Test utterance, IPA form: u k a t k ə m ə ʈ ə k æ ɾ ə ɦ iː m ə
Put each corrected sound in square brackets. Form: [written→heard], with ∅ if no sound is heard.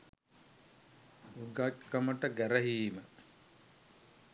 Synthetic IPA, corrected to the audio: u [k→ɡ] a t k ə m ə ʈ ə [k→ɡ] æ ɾ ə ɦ iː m ə